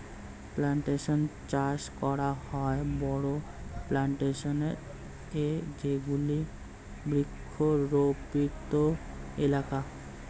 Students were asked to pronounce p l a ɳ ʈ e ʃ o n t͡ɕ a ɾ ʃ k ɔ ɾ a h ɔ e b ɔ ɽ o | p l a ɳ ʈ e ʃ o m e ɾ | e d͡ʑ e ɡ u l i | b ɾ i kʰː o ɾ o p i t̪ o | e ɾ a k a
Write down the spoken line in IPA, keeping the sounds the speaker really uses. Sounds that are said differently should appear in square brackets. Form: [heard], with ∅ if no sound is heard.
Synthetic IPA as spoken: p l a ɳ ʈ e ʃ o n t͡ɕ a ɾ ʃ k ɔ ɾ a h ɔ e b ɔ ɽ o | p l a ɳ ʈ e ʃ o [n] e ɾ | e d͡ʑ e ɡ u l i | b ɾ i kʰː o ɾ o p i t̪ o | e [l] a k a